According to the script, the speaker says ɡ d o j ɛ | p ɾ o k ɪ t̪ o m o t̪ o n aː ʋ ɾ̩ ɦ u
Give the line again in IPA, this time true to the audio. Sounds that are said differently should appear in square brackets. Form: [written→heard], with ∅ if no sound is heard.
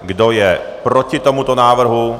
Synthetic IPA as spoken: ɡ d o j ɛ | p ɾ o [k→c] ɪ t̪ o m [o→u] t̪ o n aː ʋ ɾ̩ ɦ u